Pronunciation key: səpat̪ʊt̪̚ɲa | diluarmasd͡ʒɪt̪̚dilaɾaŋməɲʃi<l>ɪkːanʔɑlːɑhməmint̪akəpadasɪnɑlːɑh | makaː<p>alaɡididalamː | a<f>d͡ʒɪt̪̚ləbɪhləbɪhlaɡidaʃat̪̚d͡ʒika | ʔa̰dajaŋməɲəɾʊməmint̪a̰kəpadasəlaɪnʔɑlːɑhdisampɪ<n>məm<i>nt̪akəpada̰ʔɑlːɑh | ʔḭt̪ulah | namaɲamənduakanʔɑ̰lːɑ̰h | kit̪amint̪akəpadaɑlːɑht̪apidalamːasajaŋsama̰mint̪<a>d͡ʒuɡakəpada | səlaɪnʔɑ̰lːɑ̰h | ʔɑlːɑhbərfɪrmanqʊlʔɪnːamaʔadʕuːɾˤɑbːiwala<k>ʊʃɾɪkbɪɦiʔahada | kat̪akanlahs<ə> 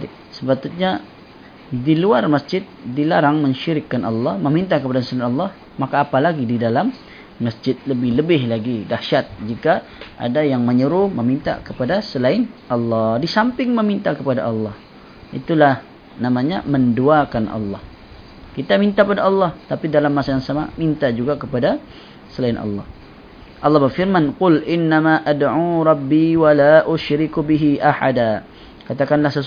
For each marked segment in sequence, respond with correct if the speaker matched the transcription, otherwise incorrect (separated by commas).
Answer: incorrect, correct, incorrect, incorrect, correct, correct, incorrect, correct